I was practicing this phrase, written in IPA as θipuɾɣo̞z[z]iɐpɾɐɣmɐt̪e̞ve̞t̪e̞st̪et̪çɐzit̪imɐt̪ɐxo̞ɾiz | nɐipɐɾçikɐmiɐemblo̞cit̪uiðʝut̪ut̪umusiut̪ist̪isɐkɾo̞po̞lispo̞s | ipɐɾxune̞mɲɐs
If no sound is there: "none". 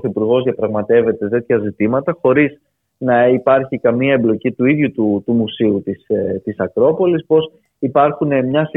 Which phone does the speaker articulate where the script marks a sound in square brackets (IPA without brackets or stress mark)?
ð